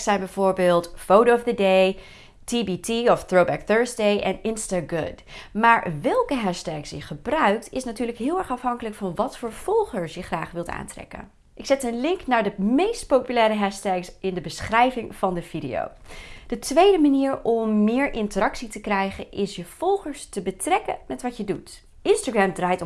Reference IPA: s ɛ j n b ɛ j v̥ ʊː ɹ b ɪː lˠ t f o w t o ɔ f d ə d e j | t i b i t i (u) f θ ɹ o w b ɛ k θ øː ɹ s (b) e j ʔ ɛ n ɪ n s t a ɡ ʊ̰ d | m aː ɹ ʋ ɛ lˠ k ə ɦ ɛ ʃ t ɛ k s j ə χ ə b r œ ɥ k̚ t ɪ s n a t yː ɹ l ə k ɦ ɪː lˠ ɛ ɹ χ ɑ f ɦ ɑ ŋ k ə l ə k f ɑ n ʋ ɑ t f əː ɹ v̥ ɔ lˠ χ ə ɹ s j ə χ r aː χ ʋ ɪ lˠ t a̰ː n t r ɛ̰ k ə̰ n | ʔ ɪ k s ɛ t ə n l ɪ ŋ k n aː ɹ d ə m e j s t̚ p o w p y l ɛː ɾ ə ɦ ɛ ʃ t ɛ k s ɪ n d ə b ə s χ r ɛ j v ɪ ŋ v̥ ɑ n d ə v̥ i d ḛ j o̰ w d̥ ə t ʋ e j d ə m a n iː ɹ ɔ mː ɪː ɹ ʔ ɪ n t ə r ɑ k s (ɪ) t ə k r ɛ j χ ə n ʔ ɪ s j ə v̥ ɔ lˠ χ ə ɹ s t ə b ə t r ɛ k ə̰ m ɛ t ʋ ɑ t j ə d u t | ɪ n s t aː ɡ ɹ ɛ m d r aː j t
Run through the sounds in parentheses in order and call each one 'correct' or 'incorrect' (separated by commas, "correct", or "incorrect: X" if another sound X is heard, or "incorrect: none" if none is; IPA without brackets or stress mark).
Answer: incorrect: ɔ, incorrect: d, incorrect: i